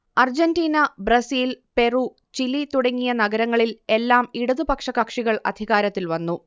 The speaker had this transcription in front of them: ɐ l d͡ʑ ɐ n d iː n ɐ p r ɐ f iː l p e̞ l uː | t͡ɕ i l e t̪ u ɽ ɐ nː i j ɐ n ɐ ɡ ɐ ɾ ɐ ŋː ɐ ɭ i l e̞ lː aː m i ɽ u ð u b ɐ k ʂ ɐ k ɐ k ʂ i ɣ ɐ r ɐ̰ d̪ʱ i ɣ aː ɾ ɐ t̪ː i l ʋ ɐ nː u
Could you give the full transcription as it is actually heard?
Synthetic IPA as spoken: ɐ r d͡ʑ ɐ n d iː n ɐ b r ɐ s iː l p e̞ r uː | t͡ɕ i l i t̪ u ɽ ɐ ŋː i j ɐ n ɐ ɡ ɐ ɾ ɐ ŋː ɐ ɭ i l e̞ lː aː m i ɽ u ð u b ɐ k ʂ ɐ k ɐ k ʂ i ɣ ɐ ɭ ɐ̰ d̪ʱ i ɣ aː ɾ ɐ t̪ː i l ʋ ɐ nː u